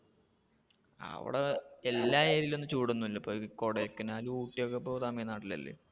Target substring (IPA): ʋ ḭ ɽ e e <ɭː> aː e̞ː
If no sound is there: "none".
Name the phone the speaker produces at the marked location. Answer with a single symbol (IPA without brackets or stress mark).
lː